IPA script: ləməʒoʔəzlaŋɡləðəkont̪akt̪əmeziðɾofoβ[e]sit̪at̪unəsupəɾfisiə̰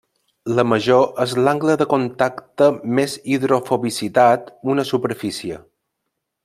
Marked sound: incorrect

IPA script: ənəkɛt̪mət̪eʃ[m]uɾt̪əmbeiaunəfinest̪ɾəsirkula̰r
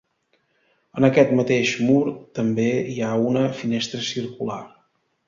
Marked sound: correct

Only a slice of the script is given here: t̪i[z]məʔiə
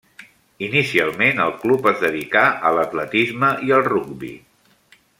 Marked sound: correct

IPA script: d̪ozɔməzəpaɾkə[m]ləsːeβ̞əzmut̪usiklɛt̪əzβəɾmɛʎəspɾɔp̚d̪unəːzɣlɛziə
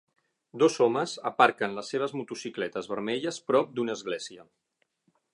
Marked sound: incorrect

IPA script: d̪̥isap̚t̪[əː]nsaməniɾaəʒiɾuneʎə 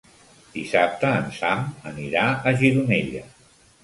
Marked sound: correct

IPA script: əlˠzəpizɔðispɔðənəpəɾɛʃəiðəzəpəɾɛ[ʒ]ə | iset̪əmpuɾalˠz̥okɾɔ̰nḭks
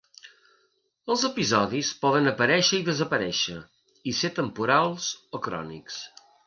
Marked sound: incorrect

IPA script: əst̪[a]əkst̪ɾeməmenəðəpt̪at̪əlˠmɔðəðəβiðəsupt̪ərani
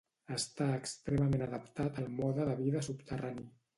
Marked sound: correct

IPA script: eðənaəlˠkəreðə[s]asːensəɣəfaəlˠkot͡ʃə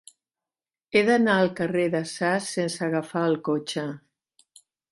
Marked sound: correct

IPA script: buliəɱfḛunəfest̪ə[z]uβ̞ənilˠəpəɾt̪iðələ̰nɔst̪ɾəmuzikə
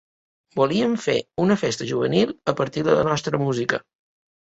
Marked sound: incorrect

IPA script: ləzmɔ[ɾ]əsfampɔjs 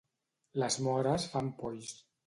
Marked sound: correct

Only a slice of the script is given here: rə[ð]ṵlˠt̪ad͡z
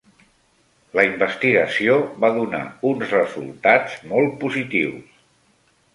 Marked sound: incorrect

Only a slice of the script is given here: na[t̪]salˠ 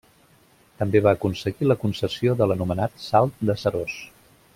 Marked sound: correct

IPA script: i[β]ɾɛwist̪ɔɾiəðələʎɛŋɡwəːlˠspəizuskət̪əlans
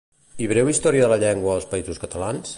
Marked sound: correct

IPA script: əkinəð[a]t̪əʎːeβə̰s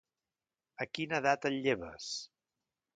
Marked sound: correct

